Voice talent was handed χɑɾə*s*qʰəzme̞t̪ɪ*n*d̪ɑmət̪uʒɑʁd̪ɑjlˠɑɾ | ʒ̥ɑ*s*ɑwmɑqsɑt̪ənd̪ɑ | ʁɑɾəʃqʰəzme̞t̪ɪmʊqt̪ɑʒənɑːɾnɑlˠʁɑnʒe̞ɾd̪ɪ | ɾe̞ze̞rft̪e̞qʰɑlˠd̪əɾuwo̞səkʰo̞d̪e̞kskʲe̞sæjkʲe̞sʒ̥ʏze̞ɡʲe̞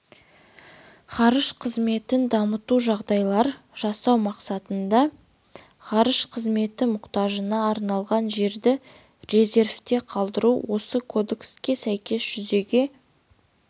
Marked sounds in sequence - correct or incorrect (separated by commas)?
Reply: incorrect, correct, correct